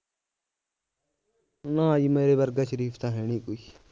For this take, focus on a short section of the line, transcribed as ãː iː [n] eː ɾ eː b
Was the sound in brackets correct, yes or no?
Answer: no